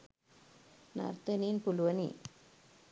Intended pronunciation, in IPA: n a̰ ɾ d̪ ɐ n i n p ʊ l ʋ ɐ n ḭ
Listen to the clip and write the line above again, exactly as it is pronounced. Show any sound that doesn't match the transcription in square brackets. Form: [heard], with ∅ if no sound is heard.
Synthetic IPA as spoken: n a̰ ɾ [t̪] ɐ n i n p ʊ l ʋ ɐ n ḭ